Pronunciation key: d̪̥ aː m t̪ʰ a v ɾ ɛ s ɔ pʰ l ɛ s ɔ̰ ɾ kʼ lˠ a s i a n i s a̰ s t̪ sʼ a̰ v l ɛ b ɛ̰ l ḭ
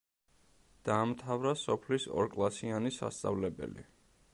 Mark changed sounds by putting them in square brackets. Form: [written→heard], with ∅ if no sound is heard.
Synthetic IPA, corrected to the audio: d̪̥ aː m t̪ʰ a v ɾ [ɛ→a] s ɔ pʰ l [ɛ→i] s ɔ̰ ɾ kʼ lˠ a s i a n i s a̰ s t̪ sʼ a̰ v l ɛ b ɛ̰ l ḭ